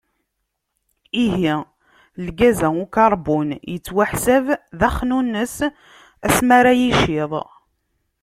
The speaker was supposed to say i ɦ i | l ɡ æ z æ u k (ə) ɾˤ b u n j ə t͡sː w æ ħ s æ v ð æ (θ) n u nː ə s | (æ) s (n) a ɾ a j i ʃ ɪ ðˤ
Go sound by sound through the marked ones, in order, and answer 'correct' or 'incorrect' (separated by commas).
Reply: incorrect, incorrect, correct, incorrect